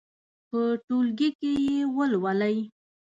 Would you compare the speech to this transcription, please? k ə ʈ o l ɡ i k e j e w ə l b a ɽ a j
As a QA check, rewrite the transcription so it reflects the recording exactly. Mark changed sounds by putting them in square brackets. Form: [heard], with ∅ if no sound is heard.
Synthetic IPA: [p] ə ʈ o l ɡ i k e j e w ə l [w] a [l] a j